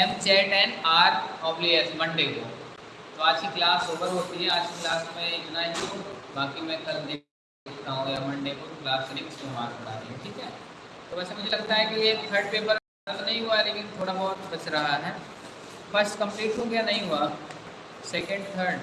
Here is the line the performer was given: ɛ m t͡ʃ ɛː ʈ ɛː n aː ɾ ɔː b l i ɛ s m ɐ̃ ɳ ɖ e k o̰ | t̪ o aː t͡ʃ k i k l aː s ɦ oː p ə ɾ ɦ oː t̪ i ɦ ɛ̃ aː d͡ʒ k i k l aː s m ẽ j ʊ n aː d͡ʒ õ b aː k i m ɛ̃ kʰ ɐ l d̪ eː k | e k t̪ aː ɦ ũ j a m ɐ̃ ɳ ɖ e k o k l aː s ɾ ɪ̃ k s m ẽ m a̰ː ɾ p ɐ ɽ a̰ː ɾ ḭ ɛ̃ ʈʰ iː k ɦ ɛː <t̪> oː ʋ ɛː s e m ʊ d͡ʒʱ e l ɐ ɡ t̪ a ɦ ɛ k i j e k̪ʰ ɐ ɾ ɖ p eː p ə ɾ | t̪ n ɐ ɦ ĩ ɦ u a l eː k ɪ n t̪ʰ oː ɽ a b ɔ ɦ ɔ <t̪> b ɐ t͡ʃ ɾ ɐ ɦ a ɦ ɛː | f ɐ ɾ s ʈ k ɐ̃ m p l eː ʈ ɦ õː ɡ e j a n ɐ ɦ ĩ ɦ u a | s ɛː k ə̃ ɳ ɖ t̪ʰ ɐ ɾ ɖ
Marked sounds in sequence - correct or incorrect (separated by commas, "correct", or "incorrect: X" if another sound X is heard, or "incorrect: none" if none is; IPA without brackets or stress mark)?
correct, correct